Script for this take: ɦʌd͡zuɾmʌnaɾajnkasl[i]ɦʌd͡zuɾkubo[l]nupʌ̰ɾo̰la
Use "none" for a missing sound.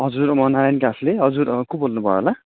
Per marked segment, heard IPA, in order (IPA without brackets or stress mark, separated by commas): e, l